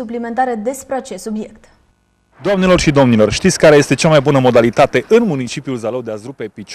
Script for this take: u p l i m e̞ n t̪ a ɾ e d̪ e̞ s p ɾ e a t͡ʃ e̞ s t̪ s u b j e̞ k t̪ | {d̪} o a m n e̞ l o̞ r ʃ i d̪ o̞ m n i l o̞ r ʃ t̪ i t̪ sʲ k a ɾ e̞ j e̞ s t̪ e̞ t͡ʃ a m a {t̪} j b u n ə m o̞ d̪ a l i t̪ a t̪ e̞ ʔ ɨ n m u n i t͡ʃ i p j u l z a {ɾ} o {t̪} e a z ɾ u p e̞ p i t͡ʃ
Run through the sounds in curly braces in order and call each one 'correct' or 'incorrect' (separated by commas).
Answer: correct, incorrect, incorrect, incorrect